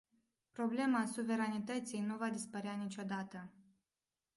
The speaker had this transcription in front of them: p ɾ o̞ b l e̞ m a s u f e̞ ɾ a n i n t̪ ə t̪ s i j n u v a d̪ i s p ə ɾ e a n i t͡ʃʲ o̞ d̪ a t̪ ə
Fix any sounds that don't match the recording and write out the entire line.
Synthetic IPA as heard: p ɾ o̞ b l e̞ m a s u v e̞ ɾ a n i t̪ ə t̪ s i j n u v a d̪ i s p ə ɾ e a n i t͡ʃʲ o̞ d̪ a t̪ ə